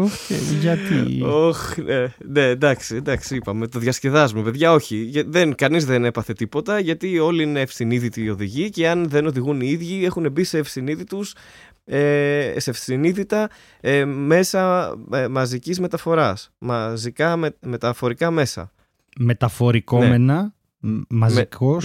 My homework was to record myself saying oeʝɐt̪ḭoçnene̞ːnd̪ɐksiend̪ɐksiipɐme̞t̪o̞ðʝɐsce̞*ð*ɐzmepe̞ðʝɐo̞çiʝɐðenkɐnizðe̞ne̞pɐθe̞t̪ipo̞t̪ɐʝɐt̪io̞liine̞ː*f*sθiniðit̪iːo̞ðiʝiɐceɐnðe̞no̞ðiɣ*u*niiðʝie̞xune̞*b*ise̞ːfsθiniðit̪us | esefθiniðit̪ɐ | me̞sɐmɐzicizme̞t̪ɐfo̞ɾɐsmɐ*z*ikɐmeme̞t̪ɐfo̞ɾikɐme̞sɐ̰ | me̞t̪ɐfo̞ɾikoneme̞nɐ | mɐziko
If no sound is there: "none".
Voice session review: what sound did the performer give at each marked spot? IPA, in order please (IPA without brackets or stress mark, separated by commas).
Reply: ð, f, u, b, z